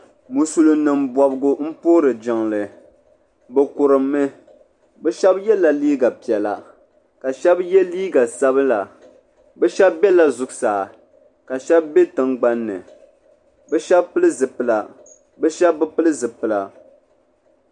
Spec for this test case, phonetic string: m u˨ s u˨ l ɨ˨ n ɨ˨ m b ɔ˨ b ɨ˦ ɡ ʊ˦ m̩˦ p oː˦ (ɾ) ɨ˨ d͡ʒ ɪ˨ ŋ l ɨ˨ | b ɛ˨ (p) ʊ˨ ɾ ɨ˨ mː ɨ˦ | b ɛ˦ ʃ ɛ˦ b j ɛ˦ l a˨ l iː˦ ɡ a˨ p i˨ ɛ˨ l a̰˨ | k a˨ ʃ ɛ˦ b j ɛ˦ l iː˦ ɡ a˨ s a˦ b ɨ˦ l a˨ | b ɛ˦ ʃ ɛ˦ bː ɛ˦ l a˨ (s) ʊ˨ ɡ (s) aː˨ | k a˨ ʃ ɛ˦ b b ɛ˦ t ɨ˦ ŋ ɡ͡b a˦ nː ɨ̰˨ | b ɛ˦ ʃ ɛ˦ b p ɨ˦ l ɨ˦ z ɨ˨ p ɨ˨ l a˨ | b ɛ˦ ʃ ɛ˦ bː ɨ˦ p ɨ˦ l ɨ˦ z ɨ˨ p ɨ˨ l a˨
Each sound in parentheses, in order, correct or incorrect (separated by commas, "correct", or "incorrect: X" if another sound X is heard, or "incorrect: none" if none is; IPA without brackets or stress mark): correct, incorrect: k, incorrect: z, correct